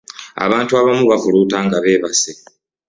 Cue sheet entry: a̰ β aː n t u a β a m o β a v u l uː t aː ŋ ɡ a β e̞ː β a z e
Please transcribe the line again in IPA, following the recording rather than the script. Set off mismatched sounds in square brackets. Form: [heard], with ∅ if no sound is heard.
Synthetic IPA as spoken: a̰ β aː n t u a β a m [u] β a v u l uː t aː ŋ ɡ a β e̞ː β a [s] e